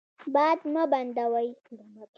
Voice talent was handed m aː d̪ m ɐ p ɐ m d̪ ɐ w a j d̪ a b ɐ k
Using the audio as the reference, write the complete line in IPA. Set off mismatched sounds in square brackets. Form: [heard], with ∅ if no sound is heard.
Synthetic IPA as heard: [b] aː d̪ m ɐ [b] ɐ [n] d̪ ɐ w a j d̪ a [m] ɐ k